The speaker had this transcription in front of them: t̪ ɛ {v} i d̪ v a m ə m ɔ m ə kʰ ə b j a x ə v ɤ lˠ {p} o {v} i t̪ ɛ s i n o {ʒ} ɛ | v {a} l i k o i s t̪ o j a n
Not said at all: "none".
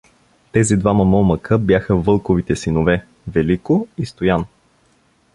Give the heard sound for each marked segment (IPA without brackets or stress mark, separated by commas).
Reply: z, k, v, v, ɛ